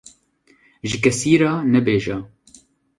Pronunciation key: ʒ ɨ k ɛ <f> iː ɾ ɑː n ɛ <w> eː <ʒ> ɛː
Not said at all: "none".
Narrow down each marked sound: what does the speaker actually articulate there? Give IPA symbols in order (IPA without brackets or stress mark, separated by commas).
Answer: s, b, ʒ